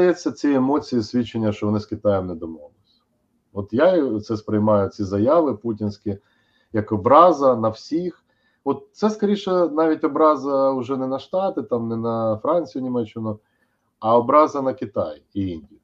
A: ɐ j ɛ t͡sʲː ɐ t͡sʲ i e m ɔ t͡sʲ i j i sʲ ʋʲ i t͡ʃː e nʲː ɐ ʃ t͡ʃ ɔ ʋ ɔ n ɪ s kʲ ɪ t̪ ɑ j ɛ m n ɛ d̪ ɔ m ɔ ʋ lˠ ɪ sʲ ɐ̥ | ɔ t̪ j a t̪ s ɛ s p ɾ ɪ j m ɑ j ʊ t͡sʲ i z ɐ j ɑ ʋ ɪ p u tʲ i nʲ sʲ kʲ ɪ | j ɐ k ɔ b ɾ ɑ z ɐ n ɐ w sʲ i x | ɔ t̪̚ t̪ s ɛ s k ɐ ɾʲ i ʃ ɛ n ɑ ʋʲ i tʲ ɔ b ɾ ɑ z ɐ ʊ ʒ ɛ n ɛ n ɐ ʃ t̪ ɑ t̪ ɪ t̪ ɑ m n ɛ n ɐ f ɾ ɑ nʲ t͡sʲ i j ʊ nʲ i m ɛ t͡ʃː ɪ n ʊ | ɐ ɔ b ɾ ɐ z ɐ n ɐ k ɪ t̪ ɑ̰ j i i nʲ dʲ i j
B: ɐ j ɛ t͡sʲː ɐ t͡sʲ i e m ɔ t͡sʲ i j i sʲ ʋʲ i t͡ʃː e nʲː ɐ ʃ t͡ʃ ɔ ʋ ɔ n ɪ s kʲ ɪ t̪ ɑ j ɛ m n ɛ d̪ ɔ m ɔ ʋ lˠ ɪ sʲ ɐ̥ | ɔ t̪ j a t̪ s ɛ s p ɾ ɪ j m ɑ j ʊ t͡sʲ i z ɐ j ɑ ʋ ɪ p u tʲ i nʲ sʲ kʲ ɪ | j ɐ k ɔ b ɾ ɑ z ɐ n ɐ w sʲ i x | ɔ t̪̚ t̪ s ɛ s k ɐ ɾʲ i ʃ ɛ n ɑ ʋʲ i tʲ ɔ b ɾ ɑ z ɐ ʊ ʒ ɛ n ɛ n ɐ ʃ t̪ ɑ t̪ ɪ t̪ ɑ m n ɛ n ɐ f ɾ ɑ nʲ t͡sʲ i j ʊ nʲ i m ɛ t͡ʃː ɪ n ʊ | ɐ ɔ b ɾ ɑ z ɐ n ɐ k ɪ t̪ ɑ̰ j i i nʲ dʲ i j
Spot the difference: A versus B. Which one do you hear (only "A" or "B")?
B